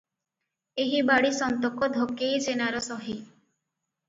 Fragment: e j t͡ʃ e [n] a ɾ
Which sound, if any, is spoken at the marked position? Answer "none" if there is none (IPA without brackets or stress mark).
n